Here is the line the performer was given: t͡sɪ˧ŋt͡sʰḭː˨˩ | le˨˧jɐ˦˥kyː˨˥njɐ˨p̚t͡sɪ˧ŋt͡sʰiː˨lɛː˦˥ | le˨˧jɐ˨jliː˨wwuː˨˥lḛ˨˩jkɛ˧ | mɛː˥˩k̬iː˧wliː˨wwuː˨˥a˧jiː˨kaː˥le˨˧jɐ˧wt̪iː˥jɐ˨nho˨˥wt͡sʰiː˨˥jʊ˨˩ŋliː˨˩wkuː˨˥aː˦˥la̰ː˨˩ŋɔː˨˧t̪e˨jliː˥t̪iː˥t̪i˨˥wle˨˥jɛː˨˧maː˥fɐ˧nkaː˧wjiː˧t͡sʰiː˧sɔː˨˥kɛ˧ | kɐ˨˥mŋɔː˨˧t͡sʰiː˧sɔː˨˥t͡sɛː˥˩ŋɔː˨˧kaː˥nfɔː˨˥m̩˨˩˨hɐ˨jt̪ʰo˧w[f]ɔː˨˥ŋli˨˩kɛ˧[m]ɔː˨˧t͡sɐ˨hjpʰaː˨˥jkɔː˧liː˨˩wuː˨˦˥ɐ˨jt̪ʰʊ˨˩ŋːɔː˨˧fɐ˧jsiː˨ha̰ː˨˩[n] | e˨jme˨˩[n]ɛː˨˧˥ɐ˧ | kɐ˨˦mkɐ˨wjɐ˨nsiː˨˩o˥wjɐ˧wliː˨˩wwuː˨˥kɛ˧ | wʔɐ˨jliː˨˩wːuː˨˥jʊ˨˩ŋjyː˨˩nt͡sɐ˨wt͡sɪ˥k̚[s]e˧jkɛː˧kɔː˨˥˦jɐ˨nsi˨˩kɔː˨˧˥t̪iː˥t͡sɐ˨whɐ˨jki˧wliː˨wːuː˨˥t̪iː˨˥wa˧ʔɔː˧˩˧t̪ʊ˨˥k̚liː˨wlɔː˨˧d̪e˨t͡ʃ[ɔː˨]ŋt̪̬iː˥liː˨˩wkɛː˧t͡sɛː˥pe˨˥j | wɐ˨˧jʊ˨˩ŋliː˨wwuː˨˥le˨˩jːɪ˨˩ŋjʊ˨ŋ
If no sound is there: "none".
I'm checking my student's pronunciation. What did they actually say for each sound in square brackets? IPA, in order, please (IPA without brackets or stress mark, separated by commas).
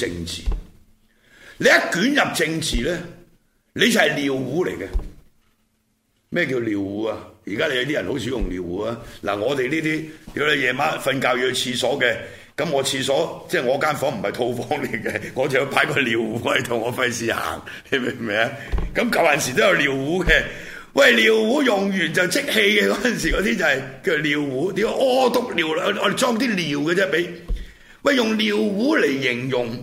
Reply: f, ŋ, ŋ, m, h, ɔː˥